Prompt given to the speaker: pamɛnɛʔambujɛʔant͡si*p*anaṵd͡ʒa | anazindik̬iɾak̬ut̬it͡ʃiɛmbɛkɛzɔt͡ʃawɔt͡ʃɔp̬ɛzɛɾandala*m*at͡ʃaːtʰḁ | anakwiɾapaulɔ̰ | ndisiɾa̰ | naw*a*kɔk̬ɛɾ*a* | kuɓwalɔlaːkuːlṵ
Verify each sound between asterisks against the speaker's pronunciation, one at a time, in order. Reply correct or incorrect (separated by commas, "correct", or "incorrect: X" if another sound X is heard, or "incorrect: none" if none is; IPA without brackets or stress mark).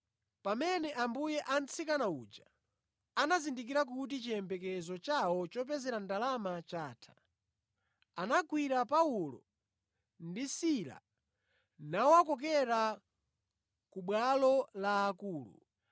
incorrect: k, correct, correct, correct